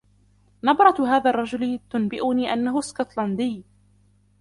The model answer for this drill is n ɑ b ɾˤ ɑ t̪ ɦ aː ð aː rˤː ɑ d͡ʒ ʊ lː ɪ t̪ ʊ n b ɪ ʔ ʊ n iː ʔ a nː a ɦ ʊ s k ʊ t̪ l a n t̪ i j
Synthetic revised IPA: n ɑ b ɾˤ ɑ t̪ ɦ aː ð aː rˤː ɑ d͡ʒ ʊ l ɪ t̪ ʊ n b ɪ ʔ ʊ n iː ʔ a nː a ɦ ʊ s k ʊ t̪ l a n d̪ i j